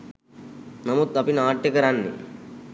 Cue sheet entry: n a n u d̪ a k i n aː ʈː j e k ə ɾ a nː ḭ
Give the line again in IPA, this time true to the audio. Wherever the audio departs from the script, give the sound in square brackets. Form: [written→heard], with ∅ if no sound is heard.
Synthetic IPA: n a [n→m] u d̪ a [k→p] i n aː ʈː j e k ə ɾ a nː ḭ